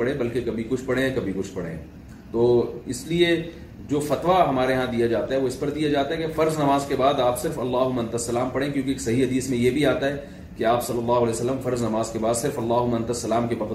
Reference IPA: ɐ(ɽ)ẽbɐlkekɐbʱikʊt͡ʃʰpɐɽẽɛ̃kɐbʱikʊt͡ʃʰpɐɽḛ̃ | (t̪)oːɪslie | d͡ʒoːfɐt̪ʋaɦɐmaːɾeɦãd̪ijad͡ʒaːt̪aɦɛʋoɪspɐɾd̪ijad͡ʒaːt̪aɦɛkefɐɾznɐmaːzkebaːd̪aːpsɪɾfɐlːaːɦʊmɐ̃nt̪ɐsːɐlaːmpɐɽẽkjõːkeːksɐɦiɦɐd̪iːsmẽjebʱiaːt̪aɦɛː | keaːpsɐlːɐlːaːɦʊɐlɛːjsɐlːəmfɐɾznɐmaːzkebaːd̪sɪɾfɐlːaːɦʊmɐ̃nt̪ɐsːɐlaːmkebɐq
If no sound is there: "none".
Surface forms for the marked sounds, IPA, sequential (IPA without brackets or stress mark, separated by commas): ɽ, t̪